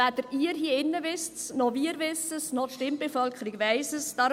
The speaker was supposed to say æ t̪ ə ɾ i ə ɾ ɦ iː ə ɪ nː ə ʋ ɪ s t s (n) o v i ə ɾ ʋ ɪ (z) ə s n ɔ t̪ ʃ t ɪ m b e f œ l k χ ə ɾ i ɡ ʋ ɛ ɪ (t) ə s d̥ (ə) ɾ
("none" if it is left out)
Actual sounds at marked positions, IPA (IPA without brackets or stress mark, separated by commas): n, s, s, ɑ